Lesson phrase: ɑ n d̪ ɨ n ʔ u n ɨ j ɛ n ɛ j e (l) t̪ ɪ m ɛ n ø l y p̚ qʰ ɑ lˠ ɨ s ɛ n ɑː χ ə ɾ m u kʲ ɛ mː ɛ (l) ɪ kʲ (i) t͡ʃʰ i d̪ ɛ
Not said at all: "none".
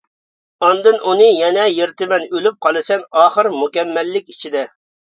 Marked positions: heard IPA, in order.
ɾ, lː, i

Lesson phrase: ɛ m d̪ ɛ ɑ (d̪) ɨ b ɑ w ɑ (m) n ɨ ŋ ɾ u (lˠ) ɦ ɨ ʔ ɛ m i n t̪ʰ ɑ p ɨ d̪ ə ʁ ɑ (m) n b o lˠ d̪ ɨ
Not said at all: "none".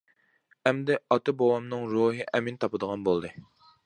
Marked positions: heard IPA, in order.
t̪, m, none, none

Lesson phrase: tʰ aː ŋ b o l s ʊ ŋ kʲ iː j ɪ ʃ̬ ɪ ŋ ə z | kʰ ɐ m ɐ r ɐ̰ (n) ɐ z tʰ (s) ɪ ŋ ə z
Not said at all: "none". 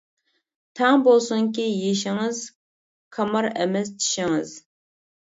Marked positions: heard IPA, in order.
m, ʃ

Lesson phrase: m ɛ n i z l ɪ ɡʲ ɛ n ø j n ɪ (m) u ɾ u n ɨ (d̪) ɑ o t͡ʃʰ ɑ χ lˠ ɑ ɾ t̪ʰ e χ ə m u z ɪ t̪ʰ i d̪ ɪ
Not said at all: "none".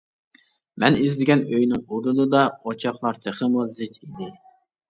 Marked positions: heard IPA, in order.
ŋ, d̪

